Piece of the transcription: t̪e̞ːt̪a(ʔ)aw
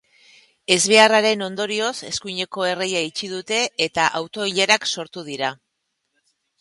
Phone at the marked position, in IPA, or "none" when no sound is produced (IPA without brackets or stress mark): ʔ